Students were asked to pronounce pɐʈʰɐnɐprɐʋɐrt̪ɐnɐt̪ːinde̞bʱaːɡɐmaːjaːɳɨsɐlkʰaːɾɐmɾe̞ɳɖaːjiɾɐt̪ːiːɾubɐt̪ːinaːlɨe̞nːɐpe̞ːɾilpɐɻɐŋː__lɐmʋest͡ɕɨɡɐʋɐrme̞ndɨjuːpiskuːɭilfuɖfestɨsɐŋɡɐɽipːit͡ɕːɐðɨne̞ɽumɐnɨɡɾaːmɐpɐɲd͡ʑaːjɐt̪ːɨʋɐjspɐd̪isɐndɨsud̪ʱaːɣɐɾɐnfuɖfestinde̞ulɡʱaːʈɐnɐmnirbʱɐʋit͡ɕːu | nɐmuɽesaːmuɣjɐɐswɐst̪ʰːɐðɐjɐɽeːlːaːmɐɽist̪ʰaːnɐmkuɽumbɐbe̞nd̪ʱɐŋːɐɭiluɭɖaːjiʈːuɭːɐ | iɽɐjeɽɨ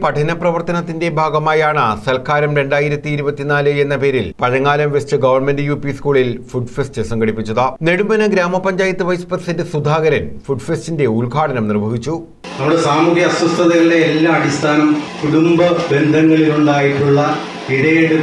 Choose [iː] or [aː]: aː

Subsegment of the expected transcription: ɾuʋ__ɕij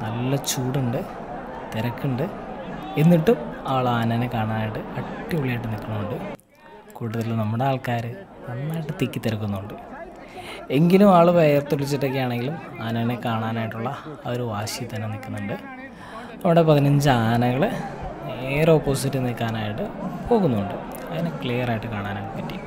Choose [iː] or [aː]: aː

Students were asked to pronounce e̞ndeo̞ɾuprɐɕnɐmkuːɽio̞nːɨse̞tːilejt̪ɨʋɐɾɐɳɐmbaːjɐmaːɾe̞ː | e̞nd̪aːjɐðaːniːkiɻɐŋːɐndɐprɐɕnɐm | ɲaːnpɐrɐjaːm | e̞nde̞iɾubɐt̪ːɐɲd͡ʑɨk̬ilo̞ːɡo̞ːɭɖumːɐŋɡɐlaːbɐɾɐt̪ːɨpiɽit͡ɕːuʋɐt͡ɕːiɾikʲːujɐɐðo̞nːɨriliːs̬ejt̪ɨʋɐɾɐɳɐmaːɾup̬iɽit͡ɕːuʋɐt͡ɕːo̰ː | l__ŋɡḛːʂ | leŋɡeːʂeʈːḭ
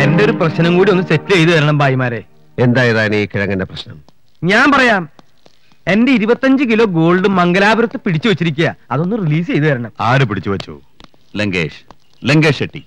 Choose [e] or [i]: e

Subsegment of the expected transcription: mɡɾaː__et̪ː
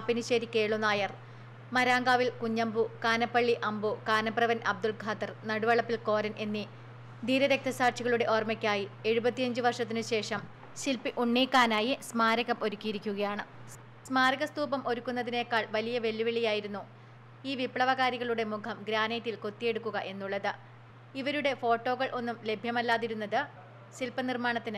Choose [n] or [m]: n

